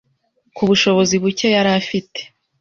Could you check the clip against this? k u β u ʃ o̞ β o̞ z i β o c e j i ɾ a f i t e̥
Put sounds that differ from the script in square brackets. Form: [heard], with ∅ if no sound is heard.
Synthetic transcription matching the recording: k u β u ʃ o̞ β o̞ z i β [u] c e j [a] ɾ a f i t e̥